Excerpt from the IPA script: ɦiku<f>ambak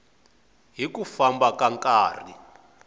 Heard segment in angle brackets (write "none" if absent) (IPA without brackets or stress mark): f